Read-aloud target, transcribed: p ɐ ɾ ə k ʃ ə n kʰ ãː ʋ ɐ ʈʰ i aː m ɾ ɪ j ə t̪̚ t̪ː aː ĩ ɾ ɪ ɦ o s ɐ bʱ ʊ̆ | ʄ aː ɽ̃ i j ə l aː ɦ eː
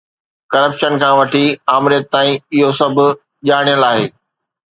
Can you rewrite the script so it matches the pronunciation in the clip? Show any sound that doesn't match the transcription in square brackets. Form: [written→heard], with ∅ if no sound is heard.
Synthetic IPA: [p→k] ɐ ɾ ə [k→p] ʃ ə n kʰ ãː ʋ ɐ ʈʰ i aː m ɾ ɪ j ə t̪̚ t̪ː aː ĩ [ɾ→∅] ɪ ɦ o s ɐ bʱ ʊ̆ | ʄ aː ɽ̃ i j ə l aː ɦ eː